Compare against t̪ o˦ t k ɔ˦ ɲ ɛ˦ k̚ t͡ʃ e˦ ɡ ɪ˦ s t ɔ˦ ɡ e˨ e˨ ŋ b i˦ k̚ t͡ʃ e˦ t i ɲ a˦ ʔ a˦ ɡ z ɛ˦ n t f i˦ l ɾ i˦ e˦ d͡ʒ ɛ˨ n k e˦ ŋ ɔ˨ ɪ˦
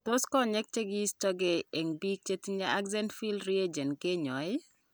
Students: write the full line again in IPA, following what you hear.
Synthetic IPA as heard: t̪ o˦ s k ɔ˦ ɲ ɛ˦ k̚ t͡ʃ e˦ ɡ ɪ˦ s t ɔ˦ ɡ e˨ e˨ ŋ b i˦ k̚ t͡ʃ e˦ t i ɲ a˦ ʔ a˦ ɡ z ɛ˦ n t f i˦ l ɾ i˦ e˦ d͡ʒ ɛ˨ n k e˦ ɲ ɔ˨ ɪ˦